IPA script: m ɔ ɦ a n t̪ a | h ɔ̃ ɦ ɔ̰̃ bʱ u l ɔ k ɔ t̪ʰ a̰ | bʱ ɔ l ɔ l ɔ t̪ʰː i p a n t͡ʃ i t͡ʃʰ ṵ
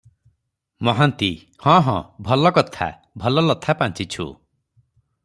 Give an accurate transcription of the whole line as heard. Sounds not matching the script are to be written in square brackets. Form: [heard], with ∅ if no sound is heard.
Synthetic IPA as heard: m ɔ ɦ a n t̪ [i] | h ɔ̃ ɦ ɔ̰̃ bʱ [ɔ] l ɔ k ɔ t̪ʰ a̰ | bʱ ɔ l ɔ l ɔ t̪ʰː [a] p a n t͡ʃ i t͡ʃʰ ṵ

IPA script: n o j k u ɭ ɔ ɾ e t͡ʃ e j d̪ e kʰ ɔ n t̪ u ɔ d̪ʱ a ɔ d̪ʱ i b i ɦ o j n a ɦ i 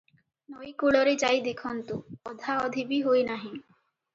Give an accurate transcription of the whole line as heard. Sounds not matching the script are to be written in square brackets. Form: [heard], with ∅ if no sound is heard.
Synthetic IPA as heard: n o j k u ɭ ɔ ɾ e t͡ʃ [a] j d̪ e kʰ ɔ n t̪ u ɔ d̪ʱ a ɔ d̪ʱ i b i ɦ o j n a ɦ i

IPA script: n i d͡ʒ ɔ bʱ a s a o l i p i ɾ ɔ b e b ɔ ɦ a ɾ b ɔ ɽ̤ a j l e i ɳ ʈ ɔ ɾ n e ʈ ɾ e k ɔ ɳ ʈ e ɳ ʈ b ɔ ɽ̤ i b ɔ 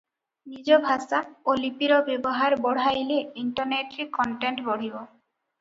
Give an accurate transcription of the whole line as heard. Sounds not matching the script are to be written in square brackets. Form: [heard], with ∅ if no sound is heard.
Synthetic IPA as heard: n i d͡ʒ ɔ bʱ a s a o l i p i ɾ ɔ b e b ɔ ɦ a ɾ b ɔ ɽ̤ a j l e i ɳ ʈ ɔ ɾ n e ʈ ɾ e k ɔ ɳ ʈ e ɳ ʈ b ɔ ɽ̤ i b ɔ

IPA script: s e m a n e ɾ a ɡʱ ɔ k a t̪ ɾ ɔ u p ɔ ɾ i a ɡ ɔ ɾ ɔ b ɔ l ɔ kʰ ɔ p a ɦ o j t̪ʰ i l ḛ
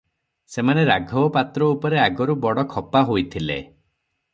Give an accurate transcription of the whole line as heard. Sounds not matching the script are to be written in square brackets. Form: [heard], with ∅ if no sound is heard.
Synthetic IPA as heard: s e m a n e ɾ a ɡʱ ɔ [p] a t̪ ɾ ɔ u p ɔ ɾ [e] a ɡ ɔ ɾ [u] b ɔ [ɽ] ɔ kʰ ɔ p a ɦ o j t̪ʰ i l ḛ

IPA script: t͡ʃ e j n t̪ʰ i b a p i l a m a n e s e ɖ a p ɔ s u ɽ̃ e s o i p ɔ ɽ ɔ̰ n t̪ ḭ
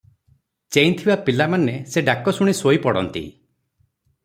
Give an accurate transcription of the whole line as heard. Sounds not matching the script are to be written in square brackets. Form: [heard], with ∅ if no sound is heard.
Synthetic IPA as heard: t͡ʃ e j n t̪ʰ i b a p i l a m a n e s e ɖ a [k] ɔ s u ɽ̃ [i] s o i p ɔ ɽ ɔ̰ n t̪ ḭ

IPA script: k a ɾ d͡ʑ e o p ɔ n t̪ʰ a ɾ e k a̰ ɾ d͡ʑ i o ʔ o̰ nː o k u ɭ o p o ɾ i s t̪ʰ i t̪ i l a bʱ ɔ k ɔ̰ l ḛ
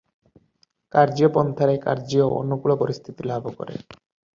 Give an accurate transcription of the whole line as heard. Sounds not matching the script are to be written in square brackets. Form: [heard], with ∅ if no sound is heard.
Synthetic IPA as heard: k a ɾ d͡ʑ [i] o p ɔ n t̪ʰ a ɾ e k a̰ ɾ d͡ʑ i o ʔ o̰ nː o k u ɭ o p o ɾ i s t̪ʰ i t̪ i l a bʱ [o] k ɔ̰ [ɾ] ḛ

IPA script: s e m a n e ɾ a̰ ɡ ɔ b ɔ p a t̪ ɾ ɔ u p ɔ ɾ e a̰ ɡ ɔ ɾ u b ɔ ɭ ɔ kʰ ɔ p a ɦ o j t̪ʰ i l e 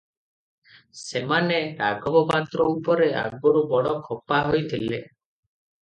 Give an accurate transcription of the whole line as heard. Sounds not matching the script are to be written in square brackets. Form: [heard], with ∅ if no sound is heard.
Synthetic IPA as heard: s e m a n e ɾ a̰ ɡ ɔ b ɔ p a t̪ ɾ ɔ u p ɔ ɾ e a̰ ɡ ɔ ɾ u b ɔ [ɽ] ɔ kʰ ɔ p a ɦ o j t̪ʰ i l e

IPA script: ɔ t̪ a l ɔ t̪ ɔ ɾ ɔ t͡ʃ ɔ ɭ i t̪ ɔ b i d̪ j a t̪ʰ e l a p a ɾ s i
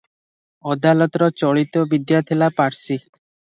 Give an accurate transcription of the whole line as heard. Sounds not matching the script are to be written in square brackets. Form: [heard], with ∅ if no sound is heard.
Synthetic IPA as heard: ɔ [d̪] a l ɔ t̪ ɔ ɾ ɔ t͡ʃ ɔ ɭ i t̪ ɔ b i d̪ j a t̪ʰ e l a p a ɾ s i

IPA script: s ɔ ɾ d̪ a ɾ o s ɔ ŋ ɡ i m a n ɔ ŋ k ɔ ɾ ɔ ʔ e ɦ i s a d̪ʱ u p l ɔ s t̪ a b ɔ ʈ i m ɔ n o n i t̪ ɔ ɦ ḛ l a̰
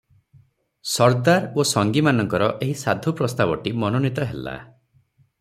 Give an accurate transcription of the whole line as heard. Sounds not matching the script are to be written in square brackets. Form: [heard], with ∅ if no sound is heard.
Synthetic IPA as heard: s ɔ ɾ d̪ a ɾ o s ɔ ŋ ɡ i m a n ɔ ŋ k ɔ ɾ ɔ ʔ e ɦ i s a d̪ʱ u p [ɾ] ɔ s t̪ a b ɔ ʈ i m ɔ n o n i t̪ ɔ ɦ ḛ l a̰

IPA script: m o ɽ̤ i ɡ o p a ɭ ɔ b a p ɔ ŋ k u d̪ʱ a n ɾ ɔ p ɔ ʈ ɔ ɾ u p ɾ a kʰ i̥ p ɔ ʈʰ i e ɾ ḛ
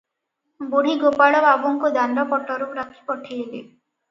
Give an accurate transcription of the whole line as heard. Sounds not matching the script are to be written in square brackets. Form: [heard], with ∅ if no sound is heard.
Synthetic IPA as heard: [b] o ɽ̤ i ɡ o p a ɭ ɔ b a [b] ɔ ŋ k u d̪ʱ a n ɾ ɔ p ɔ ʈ ɔ ɾ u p ɾ a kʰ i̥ p ɔ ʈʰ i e [l] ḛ

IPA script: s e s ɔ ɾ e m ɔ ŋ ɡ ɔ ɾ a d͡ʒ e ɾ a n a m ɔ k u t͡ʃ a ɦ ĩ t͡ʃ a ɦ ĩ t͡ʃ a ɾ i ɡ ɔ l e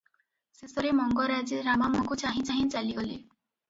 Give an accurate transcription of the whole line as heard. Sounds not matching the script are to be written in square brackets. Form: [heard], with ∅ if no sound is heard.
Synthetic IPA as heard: s e s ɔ ɾ e m ɔ ŋ ɡ ɔ ɾ a d͡ʒ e ɾ a [m] a m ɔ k u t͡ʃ a ɦ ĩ t͡ʃ a ɦ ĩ t͡ʃ a [l] i ɡ ɔ l e

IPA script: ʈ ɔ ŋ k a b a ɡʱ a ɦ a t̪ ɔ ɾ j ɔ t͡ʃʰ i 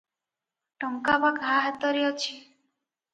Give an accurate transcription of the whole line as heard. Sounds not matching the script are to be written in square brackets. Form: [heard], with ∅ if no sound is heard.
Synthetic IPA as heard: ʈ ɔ ŋ k a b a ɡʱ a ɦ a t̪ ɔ ɾ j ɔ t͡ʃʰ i

